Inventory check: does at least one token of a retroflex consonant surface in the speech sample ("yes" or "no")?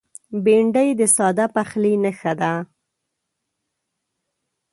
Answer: yes